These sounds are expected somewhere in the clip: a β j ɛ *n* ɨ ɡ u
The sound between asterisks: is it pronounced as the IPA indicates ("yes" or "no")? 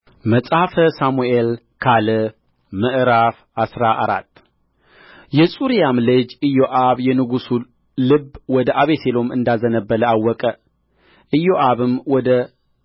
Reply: yes